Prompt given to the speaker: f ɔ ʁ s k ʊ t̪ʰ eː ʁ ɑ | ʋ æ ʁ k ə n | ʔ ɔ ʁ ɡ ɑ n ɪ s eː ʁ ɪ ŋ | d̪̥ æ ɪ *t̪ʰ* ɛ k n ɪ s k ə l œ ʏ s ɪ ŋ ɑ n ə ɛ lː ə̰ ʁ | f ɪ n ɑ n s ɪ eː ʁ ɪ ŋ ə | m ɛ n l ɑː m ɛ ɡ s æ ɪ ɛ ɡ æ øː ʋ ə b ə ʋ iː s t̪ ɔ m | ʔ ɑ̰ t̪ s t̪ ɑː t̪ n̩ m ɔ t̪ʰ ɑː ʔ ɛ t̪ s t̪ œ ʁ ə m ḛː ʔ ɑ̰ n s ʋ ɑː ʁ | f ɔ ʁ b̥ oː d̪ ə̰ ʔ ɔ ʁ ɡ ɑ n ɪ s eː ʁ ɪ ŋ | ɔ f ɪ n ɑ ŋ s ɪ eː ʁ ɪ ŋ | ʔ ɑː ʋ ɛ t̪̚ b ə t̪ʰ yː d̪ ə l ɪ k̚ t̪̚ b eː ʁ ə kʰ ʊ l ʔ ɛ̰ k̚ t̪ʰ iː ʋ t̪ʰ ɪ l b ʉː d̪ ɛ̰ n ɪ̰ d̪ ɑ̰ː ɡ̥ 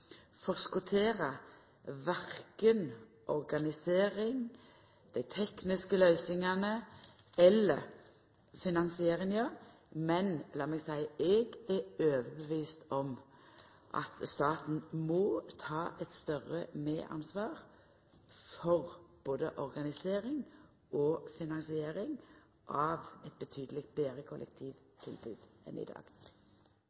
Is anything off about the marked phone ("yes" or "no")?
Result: no